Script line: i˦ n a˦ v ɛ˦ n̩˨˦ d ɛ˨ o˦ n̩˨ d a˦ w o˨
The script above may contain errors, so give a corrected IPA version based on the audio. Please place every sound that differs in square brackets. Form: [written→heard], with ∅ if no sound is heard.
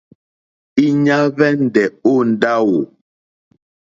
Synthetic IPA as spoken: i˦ [n→ɲ] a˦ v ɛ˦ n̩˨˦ d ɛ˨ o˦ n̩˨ d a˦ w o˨